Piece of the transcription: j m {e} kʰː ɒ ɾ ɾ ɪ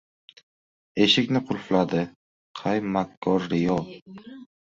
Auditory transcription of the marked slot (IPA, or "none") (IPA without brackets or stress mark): a